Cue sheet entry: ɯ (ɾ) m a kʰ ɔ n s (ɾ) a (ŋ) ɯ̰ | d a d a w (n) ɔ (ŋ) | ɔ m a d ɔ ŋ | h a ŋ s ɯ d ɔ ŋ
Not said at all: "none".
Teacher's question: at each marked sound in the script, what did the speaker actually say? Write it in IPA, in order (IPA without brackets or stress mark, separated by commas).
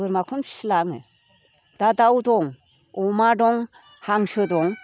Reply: ɾ, l, ŋ, d, ŋ